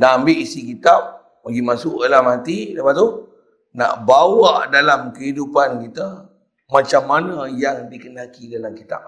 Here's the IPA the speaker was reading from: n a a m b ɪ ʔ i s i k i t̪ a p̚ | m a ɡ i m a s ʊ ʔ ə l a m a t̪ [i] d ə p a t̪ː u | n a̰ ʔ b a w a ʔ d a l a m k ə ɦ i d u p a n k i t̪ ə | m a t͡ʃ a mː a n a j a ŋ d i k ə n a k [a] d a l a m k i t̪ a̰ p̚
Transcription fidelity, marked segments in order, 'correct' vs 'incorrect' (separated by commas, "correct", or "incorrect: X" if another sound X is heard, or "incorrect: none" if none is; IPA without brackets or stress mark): correct, incorrect: i